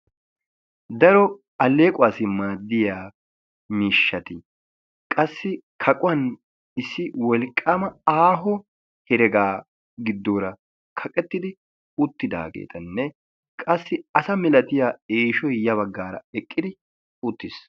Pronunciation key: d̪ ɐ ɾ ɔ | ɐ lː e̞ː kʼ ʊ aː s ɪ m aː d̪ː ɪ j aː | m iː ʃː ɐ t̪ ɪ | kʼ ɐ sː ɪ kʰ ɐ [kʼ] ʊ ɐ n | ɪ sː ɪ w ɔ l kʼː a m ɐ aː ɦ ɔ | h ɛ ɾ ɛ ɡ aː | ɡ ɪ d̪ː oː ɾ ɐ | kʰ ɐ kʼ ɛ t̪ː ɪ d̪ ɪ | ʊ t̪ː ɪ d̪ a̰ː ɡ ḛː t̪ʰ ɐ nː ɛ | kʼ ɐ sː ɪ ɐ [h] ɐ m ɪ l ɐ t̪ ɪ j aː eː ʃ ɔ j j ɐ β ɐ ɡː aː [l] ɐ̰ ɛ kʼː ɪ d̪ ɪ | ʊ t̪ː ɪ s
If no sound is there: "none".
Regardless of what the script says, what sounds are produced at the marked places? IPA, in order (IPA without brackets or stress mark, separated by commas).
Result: kʼ, s, ɾ